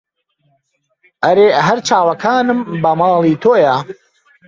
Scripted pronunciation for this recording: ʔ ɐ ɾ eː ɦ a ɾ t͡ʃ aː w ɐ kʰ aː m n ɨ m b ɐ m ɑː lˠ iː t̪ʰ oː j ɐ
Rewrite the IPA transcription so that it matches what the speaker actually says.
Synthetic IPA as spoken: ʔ ɐ ɾ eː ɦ ɐ ɾ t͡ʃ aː w ɐ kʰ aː n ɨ m b ɐ m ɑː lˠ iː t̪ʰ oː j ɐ